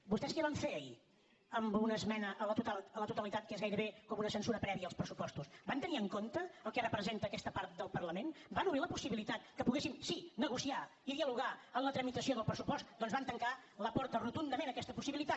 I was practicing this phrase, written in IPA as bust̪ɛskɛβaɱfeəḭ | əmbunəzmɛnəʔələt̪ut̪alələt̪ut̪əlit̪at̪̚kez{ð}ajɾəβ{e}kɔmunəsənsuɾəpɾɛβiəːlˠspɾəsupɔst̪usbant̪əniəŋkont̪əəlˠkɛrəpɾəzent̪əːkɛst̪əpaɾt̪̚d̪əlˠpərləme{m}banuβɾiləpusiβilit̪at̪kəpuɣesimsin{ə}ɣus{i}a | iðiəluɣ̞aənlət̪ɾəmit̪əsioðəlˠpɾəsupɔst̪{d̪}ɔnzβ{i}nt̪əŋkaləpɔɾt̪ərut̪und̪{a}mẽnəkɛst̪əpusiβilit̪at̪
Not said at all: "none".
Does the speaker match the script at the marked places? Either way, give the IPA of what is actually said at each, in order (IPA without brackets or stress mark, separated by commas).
ɣ, e, n, ə, i, d̪, a, ə